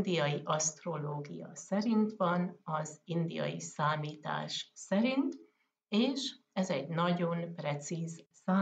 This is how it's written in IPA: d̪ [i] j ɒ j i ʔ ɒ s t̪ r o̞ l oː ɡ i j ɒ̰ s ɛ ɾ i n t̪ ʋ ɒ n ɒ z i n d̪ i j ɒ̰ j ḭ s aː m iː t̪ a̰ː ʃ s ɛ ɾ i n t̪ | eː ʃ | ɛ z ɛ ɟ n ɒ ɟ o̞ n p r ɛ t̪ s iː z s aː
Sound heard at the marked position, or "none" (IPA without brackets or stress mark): i